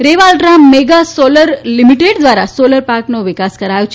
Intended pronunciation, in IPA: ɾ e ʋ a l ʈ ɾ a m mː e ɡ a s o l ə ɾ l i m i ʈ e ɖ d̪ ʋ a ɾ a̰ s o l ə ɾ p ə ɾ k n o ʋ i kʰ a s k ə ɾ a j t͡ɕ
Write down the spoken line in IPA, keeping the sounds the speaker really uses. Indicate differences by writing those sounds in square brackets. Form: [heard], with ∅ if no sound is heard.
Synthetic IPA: ɾ e ʋ a l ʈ ɾ a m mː e ɡ a s o l ə ɾ l i m i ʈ e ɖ d̪ ʋ a ɾ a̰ s o l ə ɾ p [a] ɾ k n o ʋ i [k] a s k ə ɾ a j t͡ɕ